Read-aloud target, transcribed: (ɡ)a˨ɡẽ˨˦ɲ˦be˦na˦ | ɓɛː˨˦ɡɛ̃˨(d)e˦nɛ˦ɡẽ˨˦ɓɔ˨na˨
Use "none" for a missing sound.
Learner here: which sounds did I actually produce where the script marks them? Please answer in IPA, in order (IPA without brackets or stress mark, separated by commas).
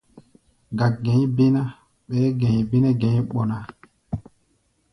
ɡ, b